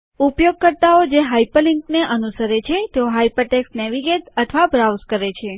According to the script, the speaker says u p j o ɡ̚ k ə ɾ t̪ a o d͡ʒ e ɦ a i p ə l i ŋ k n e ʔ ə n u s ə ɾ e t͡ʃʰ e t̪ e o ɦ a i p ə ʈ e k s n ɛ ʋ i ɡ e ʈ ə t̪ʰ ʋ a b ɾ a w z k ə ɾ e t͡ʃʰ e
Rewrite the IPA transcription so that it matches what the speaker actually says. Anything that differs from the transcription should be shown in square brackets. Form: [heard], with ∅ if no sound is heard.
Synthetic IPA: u p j o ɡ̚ k ə ɾ t̪ a o d͡ʒ e ɦ a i p ə l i ŋ k n e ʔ ə n u s ə ɾ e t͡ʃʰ e t̪ e o ɦ a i p ə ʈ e k s n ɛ ʋ i ɡ e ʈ ə t̪ʰ ʋ a b ɾ a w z k ə ɾ e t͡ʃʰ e